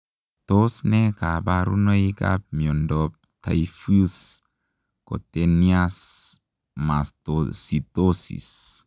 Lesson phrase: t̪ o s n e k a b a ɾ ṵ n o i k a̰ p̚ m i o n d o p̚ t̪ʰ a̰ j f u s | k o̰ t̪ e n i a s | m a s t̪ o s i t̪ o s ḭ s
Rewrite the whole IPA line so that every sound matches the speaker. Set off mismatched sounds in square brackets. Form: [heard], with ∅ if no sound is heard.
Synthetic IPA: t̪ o s n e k a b a ɾ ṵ n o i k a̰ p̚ m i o n d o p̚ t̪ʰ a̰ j f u s | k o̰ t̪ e n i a s | m a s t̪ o s i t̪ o s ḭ s